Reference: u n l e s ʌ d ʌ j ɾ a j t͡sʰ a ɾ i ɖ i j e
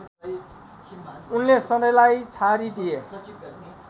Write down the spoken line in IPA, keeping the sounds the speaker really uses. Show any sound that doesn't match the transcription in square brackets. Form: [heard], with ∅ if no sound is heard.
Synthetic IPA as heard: u n l e s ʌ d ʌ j [l] a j t͡sʰ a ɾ i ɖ i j e